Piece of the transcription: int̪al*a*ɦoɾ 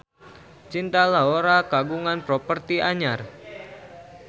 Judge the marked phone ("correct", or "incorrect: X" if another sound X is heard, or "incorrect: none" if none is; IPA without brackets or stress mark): correct